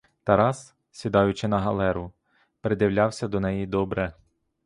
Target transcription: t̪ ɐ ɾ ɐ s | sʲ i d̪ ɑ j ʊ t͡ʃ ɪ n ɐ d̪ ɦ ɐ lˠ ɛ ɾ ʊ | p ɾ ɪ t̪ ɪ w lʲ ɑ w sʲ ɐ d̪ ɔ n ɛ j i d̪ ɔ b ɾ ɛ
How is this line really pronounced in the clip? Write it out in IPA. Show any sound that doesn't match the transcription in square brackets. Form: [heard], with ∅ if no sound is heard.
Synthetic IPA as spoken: t̪ ɐ ɾ [ɑ] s | sʲ i d̪ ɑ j ʊ t͡ʃ ɪ n ɐ [∅] ɦ ɐ lˠ ɛ ɾ ʊ | p ɾ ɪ [d̪] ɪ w lʲ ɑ w sʲ ɐ d̪ ɔ n ɛ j i d̪ ɔ b ɾ ɛ